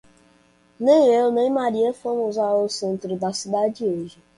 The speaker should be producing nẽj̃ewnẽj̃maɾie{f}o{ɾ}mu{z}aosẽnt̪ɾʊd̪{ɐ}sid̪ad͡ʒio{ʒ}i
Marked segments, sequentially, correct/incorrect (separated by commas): correct, incorrect, correct, incorrect, correct